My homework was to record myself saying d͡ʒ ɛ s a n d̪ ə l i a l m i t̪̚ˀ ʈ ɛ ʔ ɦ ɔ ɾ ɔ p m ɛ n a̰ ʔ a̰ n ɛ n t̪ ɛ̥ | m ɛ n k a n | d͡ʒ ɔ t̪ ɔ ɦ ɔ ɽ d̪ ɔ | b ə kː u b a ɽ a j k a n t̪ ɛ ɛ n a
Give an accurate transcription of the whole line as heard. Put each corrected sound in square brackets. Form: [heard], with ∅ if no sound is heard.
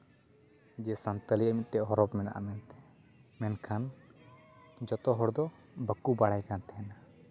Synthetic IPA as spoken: d͡ʒ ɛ s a n [t̪] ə l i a [∅] m i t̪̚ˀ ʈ ɛ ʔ ɦ ɔ ɾ ɔ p m ɛ n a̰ ʔ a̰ [m] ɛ n t̪ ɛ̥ | m ɛ n [kʰ] a n | d͡ʒ ɔ t̪ ɔ ɦ ɔ ɽ d̪ ɔ | b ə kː u b a ɽ a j k a n t̪ ɛ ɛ n a

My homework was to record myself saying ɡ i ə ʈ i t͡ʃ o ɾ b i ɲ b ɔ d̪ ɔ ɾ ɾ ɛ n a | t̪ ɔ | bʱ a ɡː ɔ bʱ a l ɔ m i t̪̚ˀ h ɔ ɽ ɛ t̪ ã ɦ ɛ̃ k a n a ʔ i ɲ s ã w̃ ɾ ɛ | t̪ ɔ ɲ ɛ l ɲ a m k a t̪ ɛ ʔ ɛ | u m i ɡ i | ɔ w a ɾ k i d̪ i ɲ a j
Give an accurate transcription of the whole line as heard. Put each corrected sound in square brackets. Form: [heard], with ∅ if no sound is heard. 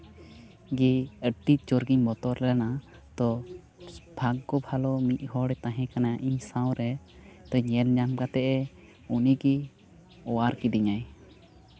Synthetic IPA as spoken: ɡ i ə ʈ i t͡ʃ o ɾ [ɡ] i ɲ b ɔ [t̪] ɔ ɾ [l] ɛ n a | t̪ ɔ | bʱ a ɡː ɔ bʱ a l ɔ m i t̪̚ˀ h ɔ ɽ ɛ t̪ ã ɦ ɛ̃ k a n a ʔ i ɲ s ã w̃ ɾ ɛ | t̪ ɔ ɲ ɛ l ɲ a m k a t̪ ɛ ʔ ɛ | u [n] i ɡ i | ɔ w a ɾ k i d̪ i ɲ a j

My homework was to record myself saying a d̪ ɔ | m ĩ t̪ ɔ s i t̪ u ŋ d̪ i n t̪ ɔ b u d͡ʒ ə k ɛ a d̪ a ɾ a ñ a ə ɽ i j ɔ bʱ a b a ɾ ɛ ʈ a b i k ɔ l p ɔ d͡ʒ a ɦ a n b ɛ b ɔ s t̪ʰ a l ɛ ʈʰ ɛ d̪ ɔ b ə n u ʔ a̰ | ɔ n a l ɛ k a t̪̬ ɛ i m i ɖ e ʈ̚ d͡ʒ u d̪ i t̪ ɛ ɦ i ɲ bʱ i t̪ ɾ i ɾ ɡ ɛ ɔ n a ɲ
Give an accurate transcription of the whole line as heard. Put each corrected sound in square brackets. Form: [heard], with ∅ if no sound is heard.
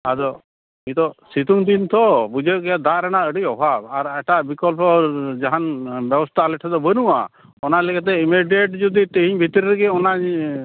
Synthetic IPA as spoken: a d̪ ɔ | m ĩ t̪ ɔ s i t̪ u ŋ d̪ i n t̪ ɔ b u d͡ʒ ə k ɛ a d̪ a ɾ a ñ a ə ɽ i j ɔ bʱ a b a ɾ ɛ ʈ a b i k ɔ l p ɔ d͡ʒ a ɦ a n b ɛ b ɔ s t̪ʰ a l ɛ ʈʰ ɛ d̪ ɔ b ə n u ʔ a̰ | ɔ n a l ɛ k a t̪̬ ɛ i m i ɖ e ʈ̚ d͡ʒ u d̪ i t̪ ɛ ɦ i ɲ bʱ i t̪ ɾ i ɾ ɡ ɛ ɔ n a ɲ

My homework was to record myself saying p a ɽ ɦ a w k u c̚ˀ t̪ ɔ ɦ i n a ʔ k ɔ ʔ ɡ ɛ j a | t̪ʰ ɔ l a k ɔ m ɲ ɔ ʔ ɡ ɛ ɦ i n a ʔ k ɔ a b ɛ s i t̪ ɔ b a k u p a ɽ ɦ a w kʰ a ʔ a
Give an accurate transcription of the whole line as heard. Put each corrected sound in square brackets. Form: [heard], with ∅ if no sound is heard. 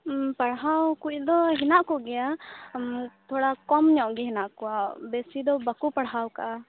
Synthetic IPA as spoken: p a ɽ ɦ a w k u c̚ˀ [d̪] ɔ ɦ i n a ʔ k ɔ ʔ ɡ ɛ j a | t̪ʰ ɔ [ɽ] a k ɔ m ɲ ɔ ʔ ɡ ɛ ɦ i n a ʔ k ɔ a b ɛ s i [d̪] ɔ b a k u p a ɽ ɦ a w [k] a ʔ a

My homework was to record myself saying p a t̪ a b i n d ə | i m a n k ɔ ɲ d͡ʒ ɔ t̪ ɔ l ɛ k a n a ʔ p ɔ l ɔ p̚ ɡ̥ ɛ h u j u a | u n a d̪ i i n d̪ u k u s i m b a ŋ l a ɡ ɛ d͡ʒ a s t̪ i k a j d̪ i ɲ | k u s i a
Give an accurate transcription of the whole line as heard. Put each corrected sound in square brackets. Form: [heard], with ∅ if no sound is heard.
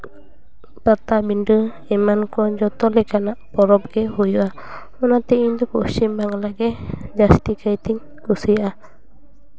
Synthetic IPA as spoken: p a t̪ a b i n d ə | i m a n k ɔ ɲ d͡ʒ ɔ t̪ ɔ l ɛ k a n a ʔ p ɔ [ɾ] ɔ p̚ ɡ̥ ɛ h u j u a | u n a [t̪] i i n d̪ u k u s i m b a ŋ l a ɡ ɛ d͡ʒ a s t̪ i k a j [t̪] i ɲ | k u s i a

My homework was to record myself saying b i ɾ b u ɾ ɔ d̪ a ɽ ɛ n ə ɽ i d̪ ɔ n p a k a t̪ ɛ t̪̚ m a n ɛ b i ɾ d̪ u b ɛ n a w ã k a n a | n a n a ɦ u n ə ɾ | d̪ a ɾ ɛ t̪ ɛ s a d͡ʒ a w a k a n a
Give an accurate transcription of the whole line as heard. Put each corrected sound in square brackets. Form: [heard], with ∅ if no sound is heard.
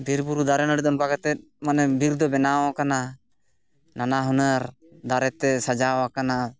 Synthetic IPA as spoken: b i ɾ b u ɾ [u] d̪ a [ɾ] ɛ n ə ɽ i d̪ ɔ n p a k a t̪ ɛ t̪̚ m a n ɛ b i ɾ d̪ [ɔ] b ɛ n a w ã k a n a | n a n a ɦ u n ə ɾ | d̪ a ɾ ɛ t̪ ɛ s a d͡ʒ a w a k a n a

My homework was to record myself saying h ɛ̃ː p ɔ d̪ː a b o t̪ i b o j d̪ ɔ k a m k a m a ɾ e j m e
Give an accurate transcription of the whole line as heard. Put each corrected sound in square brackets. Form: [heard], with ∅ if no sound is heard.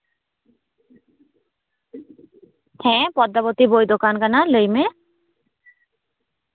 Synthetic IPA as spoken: h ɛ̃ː p ɔ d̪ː a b o t̪ i b o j d̪ [o] k a [n] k a [n] a [l] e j m e

